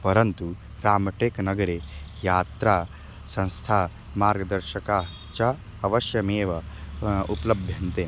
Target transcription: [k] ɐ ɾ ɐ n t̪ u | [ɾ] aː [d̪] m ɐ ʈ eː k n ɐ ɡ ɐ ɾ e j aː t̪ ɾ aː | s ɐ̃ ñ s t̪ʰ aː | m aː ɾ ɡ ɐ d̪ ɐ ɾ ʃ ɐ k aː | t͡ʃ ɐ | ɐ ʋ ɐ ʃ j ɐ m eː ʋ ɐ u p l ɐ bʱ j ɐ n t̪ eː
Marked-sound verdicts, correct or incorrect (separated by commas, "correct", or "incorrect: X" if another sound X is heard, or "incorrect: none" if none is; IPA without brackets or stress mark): incorrect: p, correct, incorrect: none